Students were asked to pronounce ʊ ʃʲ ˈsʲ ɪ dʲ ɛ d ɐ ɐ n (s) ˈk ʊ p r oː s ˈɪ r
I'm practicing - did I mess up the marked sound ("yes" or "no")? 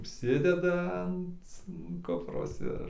yes